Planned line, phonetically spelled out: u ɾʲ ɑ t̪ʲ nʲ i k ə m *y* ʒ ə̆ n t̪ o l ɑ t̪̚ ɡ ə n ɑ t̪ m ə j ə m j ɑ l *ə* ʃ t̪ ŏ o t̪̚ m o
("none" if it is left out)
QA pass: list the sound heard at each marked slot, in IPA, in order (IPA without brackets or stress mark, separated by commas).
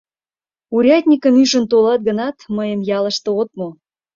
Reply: y, ə